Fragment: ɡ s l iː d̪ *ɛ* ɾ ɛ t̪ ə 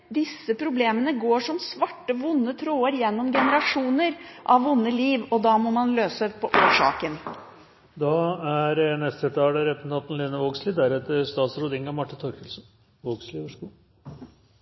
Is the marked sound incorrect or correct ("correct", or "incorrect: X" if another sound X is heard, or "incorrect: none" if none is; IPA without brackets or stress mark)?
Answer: incorrect: æ